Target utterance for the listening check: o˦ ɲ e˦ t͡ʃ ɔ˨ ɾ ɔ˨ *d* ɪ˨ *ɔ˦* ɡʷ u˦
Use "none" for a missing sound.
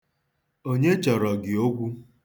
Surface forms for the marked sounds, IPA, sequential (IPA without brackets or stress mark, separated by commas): ɡ, o˦